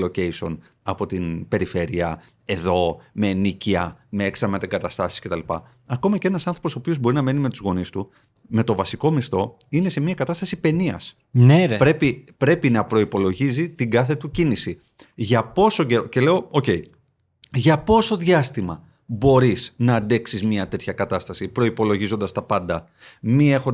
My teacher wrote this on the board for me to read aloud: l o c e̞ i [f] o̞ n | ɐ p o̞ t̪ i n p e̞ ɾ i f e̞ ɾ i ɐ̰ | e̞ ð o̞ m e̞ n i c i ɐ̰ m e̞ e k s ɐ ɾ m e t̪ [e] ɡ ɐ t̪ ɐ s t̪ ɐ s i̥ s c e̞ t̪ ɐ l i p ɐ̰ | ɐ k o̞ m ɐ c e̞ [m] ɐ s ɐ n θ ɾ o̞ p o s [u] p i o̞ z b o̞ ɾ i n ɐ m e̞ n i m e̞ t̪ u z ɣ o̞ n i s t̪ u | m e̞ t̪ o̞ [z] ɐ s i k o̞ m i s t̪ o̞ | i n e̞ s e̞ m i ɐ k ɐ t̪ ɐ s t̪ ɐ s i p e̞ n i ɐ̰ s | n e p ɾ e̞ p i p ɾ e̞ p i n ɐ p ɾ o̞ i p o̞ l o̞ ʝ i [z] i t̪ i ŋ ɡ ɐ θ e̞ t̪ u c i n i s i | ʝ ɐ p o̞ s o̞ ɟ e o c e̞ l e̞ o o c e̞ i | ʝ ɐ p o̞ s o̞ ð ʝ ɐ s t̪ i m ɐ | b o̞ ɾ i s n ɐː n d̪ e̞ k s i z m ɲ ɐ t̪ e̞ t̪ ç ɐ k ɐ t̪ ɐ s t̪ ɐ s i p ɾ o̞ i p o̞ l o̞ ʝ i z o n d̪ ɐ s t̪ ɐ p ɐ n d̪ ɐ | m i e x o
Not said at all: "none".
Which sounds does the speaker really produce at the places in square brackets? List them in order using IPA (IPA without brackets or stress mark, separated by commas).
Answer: s, e, n, o, v, z